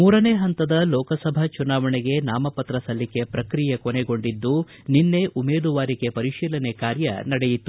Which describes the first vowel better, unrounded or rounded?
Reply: rounded